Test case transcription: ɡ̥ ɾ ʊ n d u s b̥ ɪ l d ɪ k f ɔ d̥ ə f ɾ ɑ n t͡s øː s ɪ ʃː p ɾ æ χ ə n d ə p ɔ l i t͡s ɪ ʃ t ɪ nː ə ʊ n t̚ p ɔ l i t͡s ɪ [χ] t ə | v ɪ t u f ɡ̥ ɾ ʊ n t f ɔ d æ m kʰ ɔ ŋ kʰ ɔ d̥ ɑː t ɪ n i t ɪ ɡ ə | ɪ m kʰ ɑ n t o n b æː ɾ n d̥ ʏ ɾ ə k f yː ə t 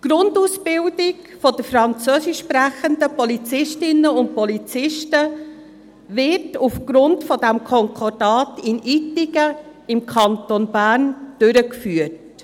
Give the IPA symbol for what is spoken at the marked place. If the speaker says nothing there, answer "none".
ʃ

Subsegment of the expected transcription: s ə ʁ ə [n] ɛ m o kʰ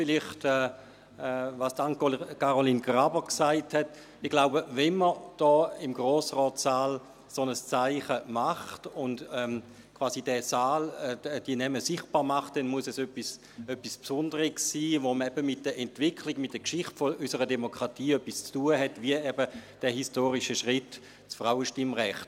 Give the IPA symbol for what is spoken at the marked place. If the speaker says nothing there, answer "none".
d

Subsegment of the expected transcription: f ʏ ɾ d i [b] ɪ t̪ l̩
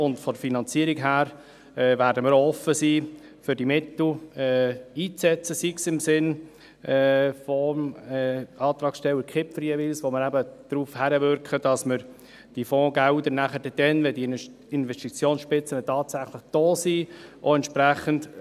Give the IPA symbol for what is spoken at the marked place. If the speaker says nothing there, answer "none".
m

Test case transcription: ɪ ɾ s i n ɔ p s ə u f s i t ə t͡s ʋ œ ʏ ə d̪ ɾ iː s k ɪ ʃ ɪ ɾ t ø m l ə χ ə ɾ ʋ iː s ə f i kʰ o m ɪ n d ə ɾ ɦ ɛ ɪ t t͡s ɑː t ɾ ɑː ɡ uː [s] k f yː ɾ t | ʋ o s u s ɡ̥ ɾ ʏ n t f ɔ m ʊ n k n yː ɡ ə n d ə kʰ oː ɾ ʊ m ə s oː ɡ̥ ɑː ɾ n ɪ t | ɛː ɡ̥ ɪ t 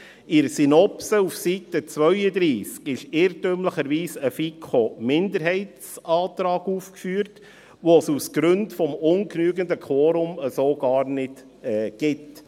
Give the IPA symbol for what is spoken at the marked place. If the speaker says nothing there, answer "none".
f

